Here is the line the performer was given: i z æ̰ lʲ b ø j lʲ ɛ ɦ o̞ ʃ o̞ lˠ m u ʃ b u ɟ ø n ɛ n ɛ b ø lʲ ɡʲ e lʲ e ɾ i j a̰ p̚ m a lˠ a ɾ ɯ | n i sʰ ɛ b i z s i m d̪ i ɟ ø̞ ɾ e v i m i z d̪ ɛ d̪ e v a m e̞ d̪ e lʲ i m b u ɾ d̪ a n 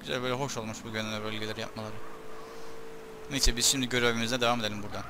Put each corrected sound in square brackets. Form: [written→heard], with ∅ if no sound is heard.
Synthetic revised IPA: [i→y] z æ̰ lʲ b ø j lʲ ɛ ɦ o̞ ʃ o̞ lˠ m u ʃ b u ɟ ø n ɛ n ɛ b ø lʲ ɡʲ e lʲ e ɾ i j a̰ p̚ m a lˠ a ɾ ɯ | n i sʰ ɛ b i z [s→ʃ] i m d̪ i ɟ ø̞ ɾ e v i m i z d̪ ɛ d̪ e v a m e̞ d̪ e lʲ i m b u ɾ d̪ a n

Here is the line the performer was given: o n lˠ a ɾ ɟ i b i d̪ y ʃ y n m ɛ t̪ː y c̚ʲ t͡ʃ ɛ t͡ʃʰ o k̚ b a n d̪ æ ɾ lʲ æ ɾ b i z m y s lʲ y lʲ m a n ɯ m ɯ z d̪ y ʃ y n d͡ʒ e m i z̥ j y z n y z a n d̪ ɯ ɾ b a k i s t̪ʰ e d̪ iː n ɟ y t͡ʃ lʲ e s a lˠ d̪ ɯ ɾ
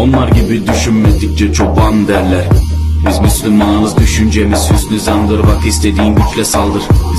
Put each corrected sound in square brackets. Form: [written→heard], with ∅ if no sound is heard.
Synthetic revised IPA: o n lˠ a ɾ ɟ i b i d̪ y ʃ y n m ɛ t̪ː [y→i] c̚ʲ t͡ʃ ɛ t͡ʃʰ o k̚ b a n d̪ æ ɾ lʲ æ ɾ b i z m y s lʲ y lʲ m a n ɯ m ɯ z d̪ y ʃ y n d͡ʒ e m i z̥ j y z n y z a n d̪ ɯ ɾ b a k i s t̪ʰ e d̪ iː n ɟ y t͡ʃ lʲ [e→ɛ] s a lˠ d̪ ɯ ɾ

